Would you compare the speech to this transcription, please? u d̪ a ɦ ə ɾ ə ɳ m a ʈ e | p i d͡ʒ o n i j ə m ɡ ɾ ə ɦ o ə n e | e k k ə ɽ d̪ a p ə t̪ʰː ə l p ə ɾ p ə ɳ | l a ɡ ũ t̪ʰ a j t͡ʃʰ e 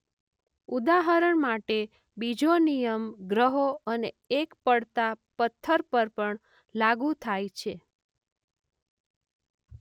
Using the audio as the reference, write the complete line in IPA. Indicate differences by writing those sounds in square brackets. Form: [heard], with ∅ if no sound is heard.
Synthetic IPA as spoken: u d̪ a ɦ ə ɾ ə ɳ m a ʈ e | [b] i d͡ʒ o n i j ə m ɡ ɾ ə ɦ o ə n e | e k [p] ə ɽ [t̪] a p ə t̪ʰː ə [ɾ] p ə ɾ p ə ɳ | l a ɡ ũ t̪ʰ a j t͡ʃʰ e